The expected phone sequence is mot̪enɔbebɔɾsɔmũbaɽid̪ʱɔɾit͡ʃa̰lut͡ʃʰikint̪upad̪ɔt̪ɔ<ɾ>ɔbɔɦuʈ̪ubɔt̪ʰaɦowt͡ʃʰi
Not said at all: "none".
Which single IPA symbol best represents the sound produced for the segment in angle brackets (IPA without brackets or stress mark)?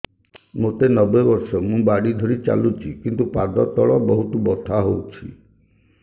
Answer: ɭ